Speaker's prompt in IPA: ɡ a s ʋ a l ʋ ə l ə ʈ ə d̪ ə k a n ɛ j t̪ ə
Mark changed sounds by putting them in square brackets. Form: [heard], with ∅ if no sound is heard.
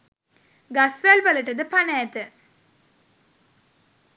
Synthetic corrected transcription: ɡ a s ʋ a l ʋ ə l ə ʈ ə d̪ ə [p] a n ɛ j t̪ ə